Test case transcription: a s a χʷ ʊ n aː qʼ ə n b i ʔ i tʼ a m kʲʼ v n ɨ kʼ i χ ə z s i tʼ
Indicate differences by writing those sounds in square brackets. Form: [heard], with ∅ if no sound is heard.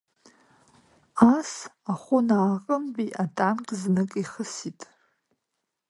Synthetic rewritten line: a s a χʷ ʊ n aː qʼ ə [m] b i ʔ [a] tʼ a m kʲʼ [z] n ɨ kʼ i χ ə [∅] s i tʼ